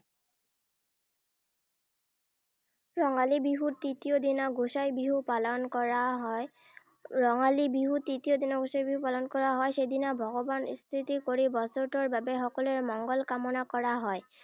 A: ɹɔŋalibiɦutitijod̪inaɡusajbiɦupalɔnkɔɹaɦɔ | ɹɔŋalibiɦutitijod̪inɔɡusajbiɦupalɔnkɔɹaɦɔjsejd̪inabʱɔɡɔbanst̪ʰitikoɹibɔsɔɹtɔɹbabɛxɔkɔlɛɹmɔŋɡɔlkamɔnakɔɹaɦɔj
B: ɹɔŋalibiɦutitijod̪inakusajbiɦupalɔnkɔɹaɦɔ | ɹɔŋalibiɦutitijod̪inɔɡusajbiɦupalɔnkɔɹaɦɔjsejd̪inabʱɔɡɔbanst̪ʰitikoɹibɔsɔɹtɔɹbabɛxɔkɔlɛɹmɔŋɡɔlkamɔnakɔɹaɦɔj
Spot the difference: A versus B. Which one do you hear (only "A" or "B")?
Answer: A